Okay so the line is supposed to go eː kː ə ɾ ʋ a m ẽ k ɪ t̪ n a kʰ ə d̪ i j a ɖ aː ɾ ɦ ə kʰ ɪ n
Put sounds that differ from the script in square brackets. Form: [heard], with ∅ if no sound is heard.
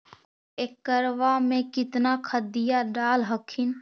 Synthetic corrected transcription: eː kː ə ɾ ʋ a m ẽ k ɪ t̪ n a kʰ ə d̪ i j a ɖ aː [l] ɦ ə kʰ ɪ n